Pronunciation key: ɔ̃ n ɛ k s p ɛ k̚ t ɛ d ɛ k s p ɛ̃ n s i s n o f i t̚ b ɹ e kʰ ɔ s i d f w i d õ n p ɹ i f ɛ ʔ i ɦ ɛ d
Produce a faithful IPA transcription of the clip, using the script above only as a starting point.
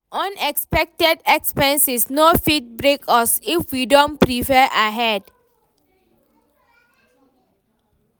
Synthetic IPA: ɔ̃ n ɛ k s p ɛ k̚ t ɛ d ɛ k s p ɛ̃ n s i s n o f i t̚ b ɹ e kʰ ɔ s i f w i d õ n p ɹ i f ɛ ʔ a ɦ ɛ d